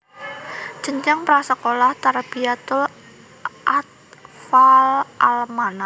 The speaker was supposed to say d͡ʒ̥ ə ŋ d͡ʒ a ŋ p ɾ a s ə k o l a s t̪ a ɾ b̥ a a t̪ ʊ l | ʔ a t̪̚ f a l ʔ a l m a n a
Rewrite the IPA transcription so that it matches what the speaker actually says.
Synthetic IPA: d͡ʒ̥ ə ɲ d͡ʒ a ŋ p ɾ a s ə k o l a h t̪ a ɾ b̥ i a t̪ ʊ l | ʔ a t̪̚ f a l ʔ a l m a n a